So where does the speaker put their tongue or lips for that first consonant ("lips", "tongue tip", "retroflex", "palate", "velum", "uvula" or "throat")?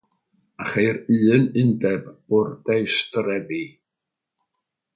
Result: uvula